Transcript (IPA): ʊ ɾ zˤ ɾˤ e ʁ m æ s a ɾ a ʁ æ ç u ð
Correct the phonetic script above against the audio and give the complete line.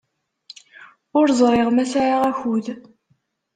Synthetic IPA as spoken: ʊ ɾ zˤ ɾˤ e ʁ m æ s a ɾ a ʁ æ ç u ð